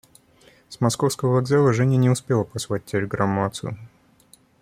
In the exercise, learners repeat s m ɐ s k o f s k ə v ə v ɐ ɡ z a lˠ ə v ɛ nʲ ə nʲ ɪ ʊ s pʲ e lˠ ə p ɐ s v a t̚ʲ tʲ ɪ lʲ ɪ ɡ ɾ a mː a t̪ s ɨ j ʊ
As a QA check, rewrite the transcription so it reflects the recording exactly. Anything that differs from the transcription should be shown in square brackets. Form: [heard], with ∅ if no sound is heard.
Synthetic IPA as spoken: s m ɐ s k o f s k ə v ə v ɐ ɡ z a lˠ ə [ʐ] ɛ nʲ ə nʲ ɪ ʊ s pʲ e lˠ ə p ɐ s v a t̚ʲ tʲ ɪ lʲ ɪ ɡ ɾ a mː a t̪ s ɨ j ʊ